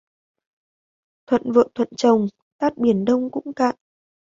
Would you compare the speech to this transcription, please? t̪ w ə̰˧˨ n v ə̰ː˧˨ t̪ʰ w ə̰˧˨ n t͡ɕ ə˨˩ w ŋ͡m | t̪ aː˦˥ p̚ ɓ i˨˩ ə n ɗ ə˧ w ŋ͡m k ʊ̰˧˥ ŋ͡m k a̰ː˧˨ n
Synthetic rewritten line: t̪ʰ w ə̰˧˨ n v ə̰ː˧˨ t̪ʰ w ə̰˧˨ n t͡ɕ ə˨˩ w ŋ͡m | t̪ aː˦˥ t̚ ɓ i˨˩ ə n ɗ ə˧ w ŋ͡m k ʊ̰˧˥ ŋ͡m k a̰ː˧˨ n